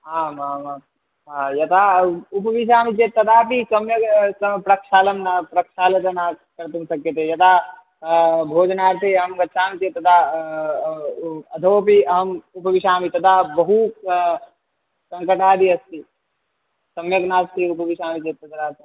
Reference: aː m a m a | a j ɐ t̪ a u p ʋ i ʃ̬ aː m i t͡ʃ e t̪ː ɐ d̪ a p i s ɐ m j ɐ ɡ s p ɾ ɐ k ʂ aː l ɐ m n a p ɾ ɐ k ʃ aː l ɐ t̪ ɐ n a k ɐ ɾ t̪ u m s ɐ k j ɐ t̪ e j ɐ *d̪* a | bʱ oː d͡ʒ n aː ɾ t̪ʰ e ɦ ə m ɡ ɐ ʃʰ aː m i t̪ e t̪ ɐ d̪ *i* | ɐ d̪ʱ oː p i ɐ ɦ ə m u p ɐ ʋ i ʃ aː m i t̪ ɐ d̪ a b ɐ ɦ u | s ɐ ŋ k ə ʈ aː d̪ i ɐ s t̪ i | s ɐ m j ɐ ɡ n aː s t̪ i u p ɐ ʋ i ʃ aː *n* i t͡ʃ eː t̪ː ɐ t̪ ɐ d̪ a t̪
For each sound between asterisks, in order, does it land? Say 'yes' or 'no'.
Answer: no, no, no

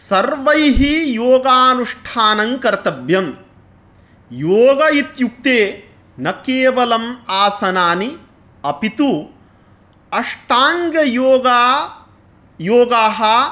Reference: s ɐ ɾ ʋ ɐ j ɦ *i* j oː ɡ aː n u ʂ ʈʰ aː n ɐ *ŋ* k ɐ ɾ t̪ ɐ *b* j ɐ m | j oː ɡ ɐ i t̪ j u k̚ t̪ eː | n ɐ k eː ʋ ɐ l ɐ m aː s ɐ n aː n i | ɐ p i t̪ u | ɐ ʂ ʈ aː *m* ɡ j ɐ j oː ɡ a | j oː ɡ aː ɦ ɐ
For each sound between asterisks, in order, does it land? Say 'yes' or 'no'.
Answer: yes, yes, yes, no

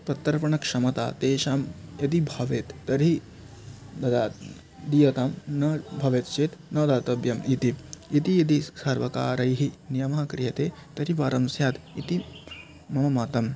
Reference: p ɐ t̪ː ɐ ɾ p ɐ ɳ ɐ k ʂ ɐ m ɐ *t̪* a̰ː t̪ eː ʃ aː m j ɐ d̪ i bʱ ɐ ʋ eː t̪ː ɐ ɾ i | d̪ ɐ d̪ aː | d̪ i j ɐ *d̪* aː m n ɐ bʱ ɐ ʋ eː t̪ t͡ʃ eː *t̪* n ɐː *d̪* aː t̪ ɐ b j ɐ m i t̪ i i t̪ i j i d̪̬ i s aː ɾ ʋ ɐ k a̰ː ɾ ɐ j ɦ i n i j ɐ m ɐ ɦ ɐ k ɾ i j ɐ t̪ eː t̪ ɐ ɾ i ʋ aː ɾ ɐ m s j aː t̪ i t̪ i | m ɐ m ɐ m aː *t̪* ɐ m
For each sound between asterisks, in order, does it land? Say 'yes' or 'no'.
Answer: yes, no, yes, yes, yes

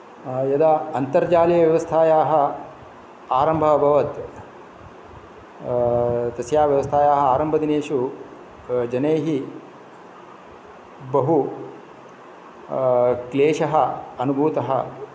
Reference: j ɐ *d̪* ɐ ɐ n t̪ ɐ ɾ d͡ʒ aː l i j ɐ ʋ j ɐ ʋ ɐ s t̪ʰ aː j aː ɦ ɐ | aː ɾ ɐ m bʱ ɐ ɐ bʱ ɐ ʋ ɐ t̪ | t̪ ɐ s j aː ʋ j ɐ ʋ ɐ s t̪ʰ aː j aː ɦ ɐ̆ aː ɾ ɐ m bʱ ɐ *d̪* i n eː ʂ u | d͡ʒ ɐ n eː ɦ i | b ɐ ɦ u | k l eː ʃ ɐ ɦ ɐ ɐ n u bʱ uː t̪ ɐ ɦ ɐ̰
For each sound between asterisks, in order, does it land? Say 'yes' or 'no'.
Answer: yes, yes

